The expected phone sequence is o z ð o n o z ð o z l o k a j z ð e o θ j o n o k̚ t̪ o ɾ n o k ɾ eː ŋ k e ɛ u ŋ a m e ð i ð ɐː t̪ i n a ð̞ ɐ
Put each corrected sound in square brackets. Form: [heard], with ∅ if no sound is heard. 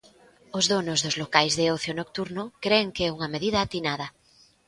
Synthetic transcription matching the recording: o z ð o n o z ð o z l o k a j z ð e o θ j o n o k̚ t̪ [u] ɾ n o k ɾ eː ŋ k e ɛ u ŋ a m e ð i ð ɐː t̪ i n a ð̞ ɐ